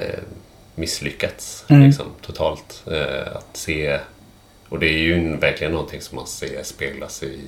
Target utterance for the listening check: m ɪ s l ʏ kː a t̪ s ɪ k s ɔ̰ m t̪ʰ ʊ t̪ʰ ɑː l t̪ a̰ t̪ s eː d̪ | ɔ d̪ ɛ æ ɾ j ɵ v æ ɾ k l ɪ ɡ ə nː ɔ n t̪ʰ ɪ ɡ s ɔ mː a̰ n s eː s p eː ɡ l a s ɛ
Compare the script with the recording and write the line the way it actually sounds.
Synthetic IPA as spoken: m ɪ s l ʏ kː a t̪ s ɪ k s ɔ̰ m t̪ʰ ʊ t̪ʰ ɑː l t̪ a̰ t̪ s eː | ɔ d̪ ɛ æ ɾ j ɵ v æ ɾ k l ɪ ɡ ə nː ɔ n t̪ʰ ɪ ŋ s ɔ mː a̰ n s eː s p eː ɡ l a s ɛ